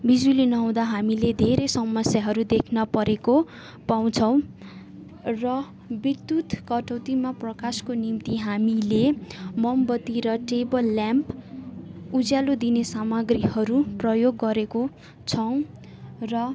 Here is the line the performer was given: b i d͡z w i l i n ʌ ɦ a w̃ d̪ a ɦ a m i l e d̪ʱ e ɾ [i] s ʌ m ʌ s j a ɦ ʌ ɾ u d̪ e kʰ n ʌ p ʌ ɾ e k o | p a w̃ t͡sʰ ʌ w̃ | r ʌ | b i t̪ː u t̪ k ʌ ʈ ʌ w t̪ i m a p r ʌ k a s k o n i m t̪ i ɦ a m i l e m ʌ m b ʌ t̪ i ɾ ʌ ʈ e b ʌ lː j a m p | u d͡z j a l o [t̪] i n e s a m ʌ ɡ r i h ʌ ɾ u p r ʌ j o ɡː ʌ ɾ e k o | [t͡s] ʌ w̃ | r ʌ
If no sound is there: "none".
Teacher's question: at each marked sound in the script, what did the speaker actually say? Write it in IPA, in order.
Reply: e, d̪, t͡sʰ

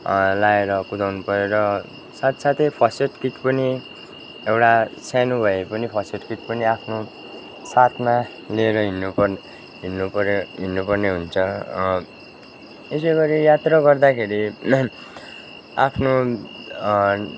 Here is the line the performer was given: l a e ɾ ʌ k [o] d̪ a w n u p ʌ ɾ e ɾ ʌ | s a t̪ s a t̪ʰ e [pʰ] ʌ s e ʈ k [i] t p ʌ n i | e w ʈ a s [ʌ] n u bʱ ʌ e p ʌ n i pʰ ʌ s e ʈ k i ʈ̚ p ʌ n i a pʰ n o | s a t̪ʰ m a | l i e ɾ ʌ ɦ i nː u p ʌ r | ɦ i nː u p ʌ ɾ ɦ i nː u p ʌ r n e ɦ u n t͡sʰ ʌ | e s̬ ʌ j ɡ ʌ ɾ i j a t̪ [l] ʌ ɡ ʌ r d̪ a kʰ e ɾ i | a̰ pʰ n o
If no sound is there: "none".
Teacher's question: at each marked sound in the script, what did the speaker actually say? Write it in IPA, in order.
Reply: u, pʰ, i, a, r

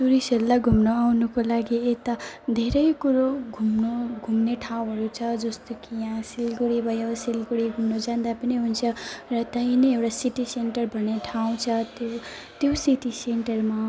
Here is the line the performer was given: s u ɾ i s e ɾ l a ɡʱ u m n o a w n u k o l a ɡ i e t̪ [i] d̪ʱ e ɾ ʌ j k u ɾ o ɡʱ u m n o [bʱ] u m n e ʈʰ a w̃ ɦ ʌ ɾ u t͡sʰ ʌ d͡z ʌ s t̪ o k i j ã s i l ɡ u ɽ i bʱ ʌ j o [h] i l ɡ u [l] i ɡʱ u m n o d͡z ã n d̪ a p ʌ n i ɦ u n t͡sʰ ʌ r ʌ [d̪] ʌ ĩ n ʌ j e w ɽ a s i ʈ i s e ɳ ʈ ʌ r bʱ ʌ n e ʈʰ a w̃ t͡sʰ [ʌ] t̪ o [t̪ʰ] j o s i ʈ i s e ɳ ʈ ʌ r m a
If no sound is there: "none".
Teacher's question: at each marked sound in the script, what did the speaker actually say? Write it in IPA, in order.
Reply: a, ɡʱ, s, ɽ, t̪, ʌ, t̪

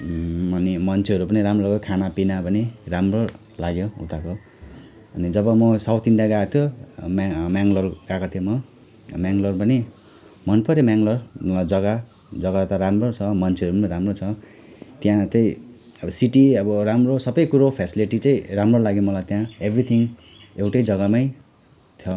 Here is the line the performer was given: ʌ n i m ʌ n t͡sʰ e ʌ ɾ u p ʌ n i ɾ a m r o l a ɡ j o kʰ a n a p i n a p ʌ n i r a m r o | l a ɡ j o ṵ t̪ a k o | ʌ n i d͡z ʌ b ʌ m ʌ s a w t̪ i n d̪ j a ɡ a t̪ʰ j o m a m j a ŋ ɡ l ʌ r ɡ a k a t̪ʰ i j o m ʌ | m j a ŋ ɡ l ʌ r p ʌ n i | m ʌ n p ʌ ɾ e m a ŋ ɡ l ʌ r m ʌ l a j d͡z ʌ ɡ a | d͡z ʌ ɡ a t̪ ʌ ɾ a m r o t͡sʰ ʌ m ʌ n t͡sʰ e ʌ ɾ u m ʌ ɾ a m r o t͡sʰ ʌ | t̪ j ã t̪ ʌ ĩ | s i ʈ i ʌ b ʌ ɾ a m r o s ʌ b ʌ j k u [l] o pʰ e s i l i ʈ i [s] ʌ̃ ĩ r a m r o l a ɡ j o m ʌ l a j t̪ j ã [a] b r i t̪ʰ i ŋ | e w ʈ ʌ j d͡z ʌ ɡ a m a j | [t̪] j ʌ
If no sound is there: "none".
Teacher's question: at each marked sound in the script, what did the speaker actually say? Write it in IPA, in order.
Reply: ɾ, t͡s, e, t̪ʰ

